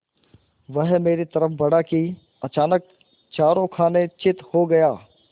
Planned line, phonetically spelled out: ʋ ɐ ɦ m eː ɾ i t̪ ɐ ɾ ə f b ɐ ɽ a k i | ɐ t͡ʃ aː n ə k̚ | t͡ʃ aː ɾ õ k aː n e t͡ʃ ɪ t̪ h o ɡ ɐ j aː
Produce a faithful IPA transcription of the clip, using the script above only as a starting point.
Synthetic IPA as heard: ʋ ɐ ɦ m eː ɾ i t̪ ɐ ɾ ə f b ɐ ɽ a k i | ɐ t͡ʃ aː n ə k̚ | t͡ʃ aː ɾ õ kʰ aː n e t͡ʃ ɪ t̪ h o ɡ ɐ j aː